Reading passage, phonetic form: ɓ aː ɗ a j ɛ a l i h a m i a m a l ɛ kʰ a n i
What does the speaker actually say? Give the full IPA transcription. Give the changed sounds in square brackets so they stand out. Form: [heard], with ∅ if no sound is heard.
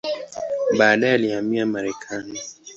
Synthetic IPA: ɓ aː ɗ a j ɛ a l i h a m i a m a [ɾ] ɛ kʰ a n i